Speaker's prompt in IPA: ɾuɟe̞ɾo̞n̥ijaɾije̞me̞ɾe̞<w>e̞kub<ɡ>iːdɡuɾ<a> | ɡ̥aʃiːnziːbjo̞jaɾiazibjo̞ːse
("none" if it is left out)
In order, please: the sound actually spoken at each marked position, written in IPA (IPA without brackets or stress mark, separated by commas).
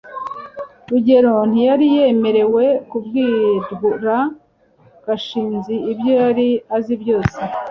w, ɡ, a